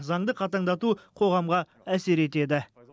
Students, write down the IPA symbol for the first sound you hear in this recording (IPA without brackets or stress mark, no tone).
z